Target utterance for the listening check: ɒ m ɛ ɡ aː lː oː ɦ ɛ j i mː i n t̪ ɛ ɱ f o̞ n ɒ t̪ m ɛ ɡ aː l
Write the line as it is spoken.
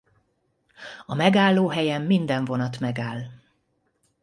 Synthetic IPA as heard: ɒ m ɛ ɡ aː lː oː ɦ ɛ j ɛ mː i n d̪ ɛ ɱ v o̞ n ɒ t̪ m ɛ ɡ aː l